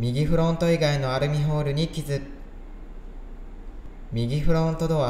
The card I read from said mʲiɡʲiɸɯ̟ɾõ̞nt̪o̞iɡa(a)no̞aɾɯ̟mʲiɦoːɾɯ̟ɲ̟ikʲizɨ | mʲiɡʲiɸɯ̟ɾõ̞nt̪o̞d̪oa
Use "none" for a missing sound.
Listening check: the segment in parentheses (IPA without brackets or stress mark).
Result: i